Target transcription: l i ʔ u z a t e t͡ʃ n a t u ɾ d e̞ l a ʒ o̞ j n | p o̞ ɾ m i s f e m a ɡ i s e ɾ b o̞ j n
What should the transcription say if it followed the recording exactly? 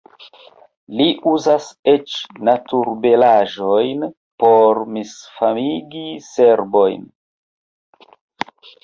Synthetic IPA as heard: l i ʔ u z a s e t͡ʃ n a t u ɾ b e̞ l a ʒ o̞ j n | p o̞ ɾ m i s f a m i ɡ i s e ɾ b o̞ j n

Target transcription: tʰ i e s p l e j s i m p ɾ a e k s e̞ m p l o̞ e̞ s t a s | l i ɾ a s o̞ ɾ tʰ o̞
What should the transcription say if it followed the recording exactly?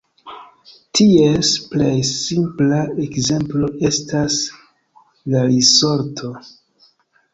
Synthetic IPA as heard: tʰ i e s p l e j s i m p l a e k z e̞ m p l o̞ e̞ s t a s | l a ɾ i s o̞ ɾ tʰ o̞

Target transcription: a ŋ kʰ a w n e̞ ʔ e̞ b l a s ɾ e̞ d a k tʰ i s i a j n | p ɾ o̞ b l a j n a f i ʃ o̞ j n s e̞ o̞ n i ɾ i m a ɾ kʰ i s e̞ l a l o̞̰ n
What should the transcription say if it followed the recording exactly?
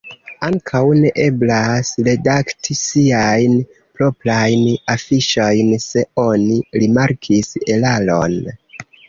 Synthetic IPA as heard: a ŋ kʰ a w n e̞ ʔ e̞ b l a s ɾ e̞ d a k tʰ i s i a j n | p ɾ o̞ p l a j n a f i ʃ o̞ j n s e̞ o̞ n i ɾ i m a ɾ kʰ i s e̞ l a l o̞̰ n

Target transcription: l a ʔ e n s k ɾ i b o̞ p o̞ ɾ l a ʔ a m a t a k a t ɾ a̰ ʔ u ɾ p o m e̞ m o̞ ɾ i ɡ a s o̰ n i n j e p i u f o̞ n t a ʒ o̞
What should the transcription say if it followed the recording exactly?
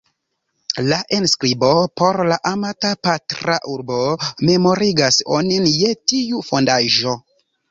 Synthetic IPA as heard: l a ʔ e n s k ɾ i b o̞ p o̞ ɾ l a ʔ a m a t a p a t ɾ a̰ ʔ u ɾ b o m e̞ m o̞ ɾ i ɡ a s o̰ n i n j e t i u f o̞ n d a ʒ o̞

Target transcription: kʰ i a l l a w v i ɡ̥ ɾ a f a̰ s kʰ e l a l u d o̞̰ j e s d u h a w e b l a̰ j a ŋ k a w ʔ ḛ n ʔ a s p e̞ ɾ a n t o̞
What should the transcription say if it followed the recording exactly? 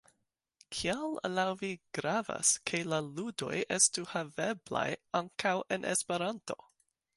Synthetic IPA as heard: kʰ i a l l a w v i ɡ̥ ɾ a v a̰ s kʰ e l a l u d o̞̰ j e s t u h a v e b l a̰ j a ŋ k a w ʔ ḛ n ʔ e s p e̞ ɾ a n t o̞

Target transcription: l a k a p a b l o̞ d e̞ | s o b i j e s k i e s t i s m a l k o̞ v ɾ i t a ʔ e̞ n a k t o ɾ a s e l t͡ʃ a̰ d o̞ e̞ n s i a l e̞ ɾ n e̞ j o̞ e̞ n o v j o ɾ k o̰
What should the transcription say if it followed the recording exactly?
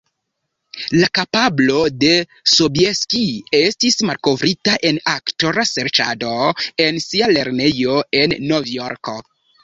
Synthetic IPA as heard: l a k a p a b l o̞ d e̞ | s o b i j e s k i e s t i s m a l k o̞ v ɾ i t a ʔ e̞ n a k t o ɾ a s e ɾ t͡ʃ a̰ d o̞ e̞ n s i a l e̞ ɾ n e̞ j o̞ e̞ nː o v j o ɾ k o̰

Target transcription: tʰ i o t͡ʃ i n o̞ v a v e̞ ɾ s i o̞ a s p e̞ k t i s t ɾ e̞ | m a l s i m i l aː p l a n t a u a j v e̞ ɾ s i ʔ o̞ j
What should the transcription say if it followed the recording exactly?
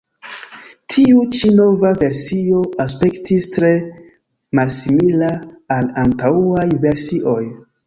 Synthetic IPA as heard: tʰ i u t͡ʃ i n o̞ v a v e̞ ɾ s i o̞ a s p e̞ k t i s t ɾ e̞ | m a l s i m i l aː l a n t a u a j v e̞ ɾ s i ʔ o̞ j

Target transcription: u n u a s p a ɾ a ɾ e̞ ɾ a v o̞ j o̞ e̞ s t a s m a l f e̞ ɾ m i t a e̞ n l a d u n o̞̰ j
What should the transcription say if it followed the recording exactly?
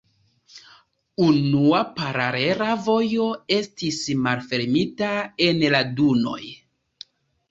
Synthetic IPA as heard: u n u a p a ɾ a ɾ e̞ ɾ a v o̞ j o̞ e̞ s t i s m a l f e̞ ɾ m i t a e̞ n l a d u n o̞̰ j

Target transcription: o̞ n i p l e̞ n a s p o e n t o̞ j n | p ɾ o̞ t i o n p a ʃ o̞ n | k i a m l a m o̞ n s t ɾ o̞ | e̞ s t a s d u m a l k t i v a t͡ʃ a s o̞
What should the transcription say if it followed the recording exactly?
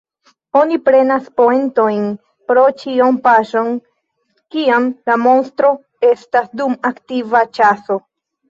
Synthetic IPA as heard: o̞ n i p ɾ e̞ n a s p o e n t o̞ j n | p ɾ o̞ t͡ʃ i o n p a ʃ o̞ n | k i a m l a m o̞ n s t ɾ o̞ | e̞ s t a s d u m a k t i v a t͡ʃ a s o̞

